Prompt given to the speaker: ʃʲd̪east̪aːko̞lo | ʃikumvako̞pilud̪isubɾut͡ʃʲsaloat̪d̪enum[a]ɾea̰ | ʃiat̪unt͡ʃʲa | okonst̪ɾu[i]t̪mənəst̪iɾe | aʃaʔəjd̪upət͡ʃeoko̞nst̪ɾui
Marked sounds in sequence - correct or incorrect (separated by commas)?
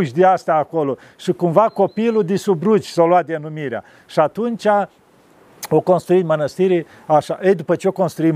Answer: incorrect, correct